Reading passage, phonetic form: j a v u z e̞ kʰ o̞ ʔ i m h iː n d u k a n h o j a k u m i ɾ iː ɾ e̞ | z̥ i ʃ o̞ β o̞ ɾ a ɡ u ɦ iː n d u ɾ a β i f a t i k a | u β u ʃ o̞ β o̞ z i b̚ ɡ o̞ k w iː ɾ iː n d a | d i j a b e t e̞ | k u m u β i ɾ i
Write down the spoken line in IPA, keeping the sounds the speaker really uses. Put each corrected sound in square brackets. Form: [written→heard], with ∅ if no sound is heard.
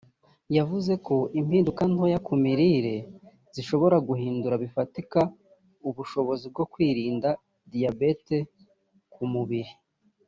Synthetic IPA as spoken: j a v u z e̞ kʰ o̞ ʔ i m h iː n d u k a n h o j a k u m i ɾ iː ɾ e̞ | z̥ i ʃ o̞ β o̞ ɾ a ɡ u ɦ iː n d u ɾ a β i f a t i k a | u β u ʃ o̞ β o̞ z i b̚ ɡ o̞ k w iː ɾ iː n d a | d i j a b e t e̞ | k u m u β i ɾ i